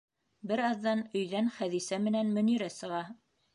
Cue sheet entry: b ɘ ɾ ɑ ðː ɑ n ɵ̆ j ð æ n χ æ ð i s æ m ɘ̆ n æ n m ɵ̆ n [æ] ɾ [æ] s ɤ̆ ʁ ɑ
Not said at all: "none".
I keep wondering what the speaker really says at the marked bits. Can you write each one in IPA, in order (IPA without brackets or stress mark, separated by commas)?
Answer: i, æ